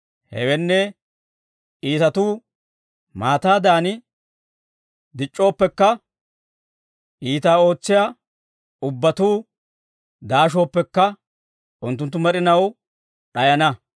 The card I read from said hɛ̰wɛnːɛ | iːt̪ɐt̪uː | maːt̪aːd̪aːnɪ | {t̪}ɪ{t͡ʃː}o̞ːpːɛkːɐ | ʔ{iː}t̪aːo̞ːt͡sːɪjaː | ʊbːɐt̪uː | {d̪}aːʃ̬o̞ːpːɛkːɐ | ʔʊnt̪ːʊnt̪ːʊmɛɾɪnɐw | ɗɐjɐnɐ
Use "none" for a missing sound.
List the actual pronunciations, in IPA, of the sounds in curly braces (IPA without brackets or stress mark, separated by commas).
d̪, t͡ʃʼː, iː, d̪